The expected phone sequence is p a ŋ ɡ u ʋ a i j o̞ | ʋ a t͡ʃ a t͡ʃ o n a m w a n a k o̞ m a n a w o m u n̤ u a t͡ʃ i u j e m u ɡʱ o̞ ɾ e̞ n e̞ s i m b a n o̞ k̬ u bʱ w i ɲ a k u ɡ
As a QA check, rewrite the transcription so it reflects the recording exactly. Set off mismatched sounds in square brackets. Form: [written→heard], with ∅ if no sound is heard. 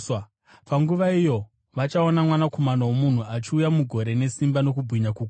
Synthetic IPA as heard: p a ŋ ɡ u ʋ a i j o̞ | ʋ a t͡ʃ a [t͡ʃ→∅] o n a m w a n a k o̞ m a n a w o m u n̤ u a t͡ʃ i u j [e→a] m u ɡʱ o̞ ɾ e̞ n e̞ s i m b a n o̞ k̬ u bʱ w i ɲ a k u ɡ